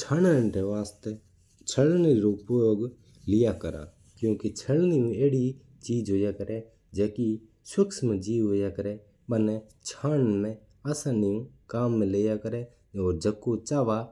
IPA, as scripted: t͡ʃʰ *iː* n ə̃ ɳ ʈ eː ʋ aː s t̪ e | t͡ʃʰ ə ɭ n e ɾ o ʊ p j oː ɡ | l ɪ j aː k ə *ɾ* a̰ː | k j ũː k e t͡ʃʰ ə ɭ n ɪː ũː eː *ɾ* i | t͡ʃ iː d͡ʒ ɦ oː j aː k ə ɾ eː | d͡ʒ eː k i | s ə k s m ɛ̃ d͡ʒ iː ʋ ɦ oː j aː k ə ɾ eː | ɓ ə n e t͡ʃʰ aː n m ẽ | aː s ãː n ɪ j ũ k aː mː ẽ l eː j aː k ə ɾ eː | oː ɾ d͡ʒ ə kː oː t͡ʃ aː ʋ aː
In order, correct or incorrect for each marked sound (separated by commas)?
incorrect, correct, incorrect